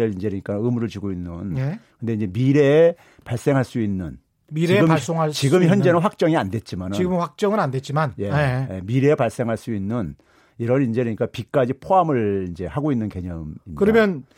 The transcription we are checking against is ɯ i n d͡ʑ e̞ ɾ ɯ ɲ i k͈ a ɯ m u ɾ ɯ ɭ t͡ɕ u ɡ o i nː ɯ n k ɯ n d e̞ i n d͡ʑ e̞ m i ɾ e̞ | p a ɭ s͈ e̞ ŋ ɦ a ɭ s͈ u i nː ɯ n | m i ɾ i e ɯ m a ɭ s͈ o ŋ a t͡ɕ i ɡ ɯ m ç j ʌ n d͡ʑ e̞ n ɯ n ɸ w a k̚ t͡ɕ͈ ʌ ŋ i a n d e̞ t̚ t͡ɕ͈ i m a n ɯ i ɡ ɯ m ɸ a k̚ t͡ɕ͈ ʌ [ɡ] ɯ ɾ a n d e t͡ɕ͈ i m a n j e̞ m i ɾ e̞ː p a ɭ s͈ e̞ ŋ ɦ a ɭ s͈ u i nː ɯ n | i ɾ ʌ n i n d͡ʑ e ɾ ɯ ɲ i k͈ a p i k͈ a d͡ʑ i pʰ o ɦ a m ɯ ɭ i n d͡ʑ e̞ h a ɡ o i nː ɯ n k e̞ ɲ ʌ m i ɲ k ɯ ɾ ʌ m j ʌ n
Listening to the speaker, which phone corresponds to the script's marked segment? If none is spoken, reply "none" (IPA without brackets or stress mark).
ŋ